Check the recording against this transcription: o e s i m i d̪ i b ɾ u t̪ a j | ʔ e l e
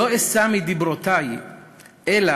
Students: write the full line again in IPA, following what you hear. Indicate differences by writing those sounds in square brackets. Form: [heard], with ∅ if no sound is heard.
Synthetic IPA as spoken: o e s [a] m i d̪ i b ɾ [o] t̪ a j | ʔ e l [a]